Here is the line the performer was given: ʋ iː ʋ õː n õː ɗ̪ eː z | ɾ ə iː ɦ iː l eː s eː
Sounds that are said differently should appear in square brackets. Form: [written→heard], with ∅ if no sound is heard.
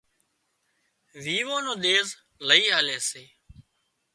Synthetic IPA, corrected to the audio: ʋ iː ʋ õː n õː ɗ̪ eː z | [ɾ→l] ə iː ɦ [iː→aː] l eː s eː